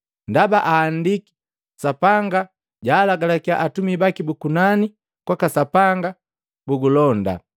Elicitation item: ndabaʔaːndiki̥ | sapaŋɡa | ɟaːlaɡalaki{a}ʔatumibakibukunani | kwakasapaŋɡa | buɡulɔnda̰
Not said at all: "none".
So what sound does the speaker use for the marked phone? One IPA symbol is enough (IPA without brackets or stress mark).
a